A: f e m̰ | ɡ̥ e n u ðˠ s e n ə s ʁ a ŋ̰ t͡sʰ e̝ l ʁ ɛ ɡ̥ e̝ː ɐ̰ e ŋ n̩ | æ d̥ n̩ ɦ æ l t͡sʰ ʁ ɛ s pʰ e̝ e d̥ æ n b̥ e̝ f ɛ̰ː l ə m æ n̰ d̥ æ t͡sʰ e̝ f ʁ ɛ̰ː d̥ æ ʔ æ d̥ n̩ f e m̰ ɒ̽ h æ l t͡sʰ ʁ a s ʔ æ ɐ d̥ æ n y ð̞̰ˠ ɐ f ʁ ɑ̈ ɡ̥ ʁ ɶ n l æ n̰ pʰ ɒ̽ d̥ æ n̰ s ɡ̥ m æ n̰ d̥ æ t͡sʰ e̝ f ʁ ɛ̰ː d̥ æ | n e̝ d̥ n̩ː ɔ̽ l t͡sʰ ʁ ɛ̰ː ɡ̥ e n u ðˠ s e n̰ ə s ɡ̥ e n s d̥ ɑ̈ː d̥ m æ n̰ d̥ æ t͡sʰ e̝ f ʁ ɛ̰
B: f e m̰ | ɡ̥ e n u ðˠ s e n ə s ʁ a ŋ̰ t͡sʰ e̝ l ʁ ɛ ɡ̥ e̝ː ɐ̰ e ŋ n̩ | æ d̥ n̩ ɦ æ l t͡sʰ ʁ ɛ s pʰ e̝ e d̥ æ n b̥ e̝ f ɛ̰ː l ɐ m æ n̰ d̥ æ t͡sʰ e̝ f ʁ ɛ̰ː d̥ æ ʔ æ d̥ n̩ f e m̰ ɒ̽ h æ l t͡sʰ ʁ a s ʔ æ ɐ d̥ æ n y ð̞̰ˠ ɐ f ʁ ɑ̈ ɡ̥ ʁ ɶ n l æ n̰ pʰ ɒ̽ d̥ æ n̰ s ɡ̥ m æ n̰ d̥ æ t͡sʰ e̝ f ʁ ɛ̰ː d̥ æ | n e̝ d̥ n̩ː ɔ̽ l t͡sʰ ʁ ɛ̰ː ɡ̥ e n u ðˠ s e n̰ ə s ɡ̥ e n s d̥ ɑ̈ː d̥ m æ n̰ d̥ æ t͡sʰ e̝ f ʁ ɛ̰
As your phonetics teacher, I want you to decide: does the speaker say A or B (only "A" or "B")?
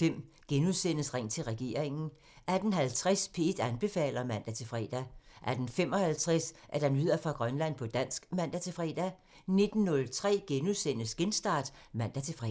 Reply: B